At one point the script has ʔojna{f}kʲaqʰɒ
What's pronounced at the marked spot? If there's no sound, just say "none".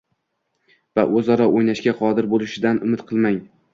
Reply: ʃ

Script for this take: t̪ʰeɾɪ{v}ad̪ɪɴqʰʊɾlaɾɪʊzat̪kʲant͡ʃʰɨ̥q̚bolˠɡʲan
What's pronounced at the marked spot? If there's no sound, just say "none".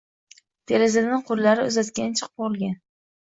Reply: z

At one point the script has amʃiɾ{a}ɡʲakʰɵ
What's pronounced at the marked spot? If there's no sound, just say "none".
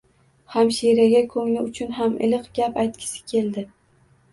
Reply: a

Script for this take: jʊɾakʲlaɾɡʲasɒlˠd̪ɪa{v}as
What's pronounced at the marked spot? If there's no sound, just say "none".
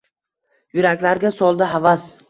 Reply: v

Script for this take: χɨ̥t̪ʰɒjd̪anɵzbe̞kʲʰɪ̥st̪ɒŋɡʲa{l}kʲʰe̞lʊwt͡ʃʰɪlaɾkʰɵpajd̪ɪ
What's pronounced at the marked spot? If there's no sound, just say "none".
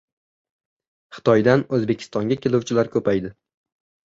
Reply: none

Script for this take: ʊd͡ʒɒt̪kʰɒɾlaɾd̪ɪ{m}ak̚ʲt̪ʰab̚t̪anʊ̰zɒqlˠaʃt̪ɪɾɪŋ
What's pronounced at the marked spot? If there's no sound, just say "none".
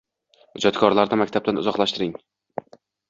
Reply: m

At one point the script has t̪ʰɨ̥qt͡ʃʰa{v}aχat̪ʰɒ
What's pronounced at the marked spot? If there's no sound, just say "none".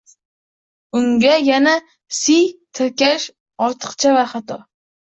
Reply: v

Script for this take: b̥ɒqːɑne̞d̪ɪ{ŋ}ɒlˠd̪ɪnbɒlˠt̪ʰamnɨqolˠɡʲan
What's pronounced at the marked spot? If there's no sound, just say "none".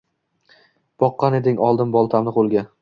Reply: ŋ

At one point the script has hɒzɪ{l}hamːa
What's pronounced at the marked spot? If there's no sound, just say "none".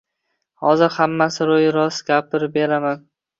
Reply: ɾ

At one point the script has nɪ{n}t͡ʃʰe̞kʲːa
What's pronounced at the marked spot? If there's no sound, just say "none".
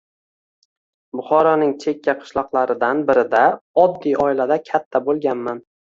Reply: ŋ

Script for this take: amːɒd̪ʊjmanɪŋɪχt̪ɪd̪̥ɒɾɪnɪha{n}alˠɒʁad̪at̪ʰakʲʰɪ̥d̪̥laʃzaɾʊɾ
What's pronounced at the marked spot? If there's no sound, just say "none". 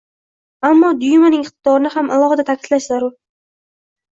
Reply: m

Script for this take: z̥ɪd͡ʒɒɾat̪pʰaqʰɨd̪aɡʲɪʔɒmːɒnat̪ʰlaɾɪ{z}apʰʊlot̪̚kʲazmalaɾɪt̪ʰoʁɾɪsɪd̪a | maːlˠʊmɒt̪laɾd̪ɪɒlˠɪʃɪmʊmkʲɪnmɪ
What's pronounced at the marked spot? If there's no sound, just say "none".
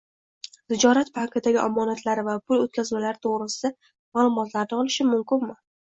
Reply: v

